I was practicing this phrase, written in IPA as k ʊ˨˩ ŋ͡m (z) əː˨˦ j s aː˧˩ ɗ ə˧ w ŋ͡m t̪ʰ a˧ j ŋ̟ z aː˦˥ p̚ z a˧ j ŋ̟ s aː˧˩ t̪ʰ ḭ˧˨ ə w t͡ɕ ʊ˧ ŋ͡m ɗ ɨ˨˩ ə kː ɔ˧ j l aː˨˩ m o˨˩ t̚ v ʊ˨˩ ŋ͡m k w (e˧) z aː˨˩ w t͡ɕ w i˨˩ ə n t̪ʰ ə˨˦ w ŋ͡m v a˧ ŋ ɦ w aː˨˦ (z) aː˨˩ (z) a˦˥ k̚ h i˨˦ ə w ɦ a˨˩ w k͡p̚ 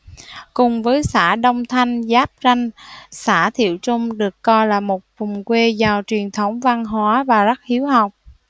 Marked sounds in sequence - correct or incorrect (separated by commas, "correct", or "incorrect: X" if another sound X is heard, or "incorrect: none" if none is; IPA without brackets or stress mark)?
incorrect: v, correct, incorrect: v, correct